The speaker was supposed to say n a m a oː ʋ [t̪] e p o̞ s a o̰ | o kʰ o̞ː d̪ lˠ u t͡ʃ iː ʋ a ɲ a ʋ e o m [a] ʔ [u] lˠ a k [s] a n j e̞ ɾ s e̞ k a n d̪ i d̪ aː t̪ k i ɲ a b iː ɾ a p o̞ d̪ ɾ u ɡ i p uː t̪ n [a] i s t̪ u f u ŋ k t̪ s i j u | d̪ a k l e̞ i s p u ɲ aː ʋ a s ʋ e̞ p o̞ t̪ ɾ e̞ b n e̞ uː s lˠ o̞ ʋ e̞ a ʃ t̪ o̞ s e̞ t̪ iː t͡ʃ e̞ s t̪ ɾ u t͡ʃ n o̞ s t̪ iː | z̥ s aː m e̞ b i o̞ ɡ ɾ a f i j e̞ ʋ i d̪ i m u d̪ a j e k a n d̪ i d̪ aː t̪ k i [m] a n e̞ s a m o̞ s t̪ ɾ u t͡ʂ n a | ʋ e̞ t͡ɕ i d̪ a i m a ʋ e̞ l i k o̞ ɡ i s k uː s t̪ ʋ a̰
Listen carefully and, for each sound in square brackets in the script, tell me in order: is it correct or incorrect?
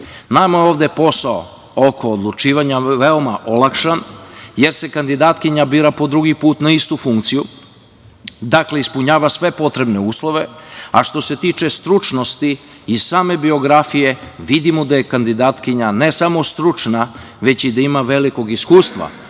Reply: incorrect: d̪, correct, incorrect: o, incorrect: ʃ, correct, incorrect: ɲ

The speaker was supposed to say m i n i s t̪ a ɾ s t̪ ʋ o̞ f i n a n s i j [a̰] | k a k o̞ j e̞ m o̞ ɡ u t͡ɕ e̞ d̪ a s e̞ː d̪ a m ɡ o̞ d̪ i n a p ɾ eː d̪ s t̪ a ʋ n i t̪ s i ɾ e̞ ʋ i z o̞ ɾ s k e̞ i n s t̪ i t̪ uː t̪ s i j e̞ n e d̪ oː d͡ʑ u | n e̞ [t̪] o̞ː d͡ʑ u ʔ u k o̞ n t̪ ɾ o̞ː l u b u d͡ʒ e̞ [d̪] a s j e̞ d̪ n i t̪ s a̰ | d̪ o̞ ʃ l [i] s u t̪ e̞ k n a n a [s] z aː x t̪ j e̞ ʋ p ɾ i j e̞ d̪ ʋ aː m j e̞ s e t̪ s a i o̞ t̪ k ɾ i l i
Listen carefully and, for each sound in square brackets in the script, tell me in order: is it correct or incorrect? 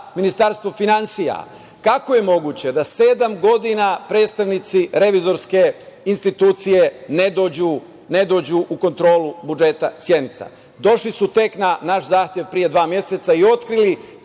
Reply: correct, incorrect: d̪, incorrect: t̪, correct, incorrect: ʃ

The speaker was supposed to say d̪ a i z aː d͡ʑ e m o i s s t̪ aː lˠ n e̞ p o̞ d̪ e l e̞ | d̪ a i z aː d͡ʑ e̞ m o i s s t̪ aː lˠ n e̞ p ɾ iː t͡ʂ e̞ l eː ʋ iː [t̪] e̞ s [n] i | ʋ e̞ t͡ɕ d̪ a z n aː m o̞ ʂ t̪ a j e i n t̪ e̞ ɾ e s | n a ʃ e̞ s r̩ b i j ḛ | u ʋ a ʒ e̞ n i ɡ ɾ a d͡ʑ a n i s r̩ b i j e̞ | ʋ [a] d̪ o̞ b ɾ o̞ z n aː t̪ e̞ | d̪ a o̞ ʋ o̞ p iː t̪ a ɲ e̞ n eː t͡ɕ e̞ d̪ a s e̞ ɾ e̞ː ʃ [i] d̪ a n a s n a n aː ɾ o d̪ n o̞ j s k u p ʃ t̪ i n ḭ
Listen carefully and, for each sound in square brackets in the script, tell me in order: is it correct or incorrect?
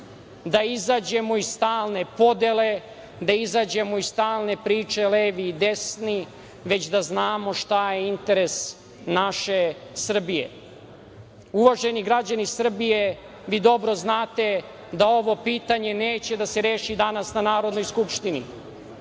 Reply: incorrect: d̪, correct, incorrect: i, correct

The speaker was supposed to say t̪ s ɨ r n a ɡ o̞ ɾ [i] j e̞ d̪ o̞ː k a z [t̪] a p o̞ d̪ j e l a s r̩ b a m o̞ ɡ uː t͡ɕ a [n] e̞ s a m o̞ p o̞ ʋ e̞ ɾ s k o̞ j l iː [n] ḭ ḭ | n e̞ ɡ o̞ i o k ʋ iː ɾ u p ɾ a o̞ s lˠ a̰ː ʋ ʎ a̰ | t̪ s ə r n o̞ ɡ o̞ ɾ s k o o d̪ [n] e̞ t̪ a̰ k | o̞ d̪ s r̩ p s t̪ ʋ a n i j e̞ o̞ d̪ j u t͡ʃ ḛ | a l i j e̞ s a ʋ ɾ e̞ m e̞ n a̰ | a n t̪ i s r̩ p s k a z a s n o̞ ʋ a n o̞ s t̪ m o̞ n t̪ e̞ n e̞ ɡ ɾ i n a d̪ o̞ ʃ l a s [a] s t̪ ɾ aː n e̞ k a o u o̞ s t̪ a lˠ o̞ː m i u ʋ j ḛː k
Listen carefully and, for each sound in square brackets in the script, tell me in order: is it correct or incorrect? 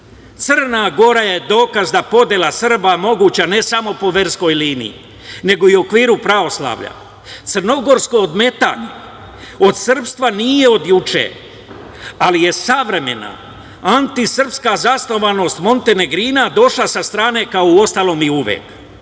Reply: incorrect: a, incorrect: d̪, correct, correct, incorrect: m, correct

